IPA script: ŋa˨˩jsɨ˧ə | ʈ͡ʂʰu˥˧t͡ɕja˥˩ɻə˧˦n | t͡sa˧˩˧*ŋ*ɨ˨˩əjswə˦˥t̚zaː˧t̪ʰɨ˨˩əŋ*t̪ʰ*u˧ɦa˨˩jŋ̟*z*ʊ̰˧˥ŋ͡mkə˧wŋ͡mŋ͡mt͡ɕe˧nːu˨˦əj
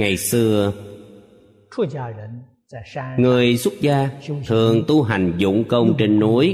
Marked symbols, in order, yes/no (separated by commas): yes, no, yes